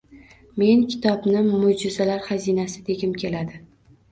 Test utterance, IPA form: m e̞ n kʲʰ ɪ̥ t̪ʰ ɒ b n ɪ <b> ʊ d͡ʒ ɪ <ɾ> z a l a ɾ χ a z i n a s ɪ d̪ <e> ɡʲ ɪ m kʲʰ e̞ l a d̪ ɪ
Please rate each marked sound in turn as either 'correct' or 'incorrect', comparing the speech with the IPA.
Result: incorrect, incorrect, correct

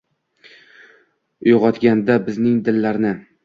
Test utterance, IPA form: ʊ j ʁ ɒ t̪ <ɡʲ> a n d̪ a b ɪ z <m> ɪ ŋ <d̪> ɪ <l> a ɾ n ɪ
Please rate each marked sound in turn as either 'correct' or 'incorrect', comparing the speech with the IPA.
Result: correct, incorrect, correct, incorrect

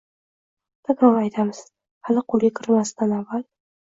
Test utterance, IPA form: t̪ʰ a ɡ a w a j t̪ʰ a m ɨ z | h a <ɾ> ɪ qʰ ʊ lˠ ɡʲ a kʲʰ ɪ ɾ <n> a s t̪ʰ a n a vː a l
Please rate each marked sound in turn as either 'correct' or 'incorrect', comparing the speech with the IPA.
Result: incorrect, incorrect

